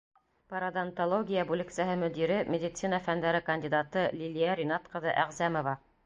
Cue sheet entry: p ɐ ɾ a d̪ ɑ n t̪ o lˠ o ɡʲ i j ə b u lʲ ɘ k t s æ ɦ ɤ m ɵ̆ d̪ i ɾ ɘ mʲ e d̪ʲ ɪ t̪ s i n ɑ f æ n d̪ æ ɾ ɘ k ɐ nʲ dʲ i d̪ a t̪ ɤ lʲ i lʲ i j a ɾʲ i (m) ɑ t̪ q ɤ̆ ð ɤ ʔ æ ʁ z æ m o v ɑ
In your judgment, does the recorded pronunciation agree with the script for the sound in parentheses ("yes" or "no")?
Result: no